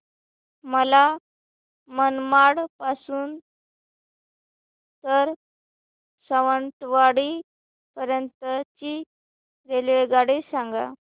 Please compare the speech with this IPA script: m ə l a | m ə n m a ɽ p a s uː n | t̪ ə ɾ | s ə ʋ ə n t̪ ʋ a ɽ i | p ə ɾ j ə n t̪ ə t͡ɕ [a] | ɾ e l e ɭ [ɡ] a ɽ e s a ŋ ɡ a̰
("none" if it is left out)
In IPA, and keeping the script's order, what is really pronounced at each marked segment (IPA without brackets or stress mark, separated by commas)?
i, ɡ